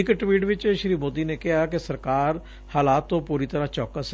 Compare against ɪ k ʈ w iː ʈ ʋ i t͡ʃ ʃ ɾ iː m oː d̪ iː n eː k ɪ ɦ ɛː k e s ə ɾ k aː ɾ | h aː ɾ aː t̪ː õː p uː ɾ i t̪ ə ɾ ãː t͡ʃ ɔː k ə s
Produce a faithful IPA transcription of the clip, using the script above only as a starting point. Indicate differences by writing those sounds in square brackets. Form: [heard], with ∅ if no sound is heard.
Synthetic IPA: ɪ k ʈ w iː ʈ ʋ [ɪ] t͡ʃ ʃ ɾ iː m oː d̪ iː n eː k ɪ ɦ [aː] k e s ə ɾ k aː ɾ | h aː [l] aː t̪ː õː p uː ɾ i t̪ ə ɾ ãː t͡ʃ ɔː k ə s